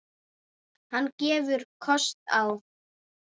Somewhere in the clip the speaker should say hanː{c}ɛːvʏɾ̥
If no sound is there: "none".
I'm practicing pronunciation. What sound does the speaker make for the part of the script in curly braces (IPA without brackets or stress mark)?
c